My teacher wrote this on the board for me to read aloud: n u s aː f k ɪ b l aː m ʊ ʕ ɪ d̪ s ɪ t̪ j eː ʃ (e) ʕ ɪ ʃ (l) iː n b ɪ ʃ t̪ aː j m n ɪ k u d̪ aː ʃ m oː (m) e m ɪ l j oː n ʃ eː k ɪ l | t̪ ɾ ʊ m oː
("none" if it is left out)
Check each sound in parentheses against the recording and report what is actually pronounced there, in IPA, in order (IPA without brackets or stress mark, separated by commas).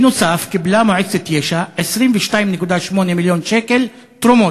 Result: a, ɾ, n